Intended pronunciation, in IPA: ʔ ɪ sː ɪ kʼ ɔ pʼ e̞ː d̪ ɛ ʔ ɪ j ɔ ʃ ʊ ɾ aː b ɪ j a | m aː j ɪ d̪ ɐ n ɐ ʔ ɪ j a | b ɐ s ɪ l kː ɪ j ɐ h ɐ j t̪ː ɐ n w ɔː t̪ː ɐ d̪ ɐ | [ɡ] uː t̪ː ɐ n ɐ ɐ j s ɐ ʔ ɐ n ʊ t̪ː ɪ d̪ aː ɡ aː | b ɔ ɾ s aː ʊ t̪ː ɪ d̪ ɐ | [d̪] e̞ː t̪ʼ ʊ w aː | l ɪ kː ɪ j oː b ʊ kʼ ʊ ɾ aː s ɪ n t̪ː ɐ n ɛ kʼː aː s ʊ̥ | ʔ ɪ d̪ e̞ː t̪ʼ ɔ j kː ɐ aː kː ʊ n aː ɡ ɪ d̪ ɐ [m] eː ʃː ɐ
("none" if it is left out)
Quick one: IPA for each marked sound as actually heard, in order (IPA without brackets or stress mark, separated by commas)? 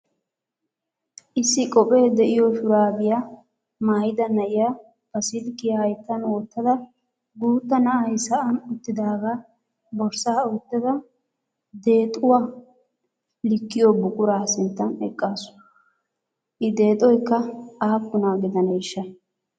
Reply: ɡ, d̪, n